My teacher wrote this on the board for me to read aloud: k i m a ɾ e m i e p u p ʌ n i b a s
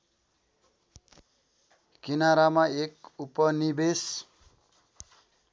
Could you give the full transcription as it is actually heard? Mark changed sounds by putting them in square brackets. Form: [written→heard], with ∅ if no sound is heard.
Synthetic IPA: k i [m→n] a ɾ [e→a] m [i→a] e [p→k] u p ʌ n i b [a→e] s